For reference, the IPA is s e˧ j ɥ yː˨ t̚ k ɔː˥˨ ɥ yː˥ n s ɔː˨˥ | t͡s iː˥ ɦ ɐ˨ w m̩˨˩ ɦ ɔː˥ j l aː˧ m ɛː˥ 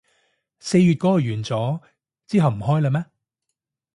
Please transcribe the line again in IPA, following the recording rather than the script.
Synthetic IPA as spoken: s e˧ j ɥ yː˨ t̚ k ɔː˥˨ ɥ yː˨˩ n t͡s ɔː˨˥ | t͡s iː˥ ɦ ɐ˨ w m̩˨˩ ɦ ɔː˥ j l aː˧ m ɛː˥